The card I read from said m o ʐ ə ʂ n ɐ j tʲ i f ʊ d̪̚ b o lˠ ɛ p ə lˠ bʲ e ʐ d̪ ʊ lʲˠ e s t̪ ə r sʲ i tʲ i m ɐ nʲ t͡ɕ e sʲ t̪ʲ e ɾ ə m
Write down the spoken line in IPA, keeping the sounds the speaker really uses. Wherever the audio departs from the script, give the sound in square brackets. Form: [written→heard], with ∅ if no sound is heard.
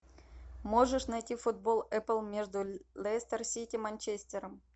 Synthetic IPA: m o ʐ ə ʂ n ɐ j tʲ i f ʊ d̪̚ b o lˠ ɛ p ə lˠ [bʲ→mʲ] e ʐ d̪ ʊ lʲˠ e s t̪ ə r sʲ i tʲ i m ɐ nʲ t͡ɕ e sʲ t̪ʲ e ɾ ə m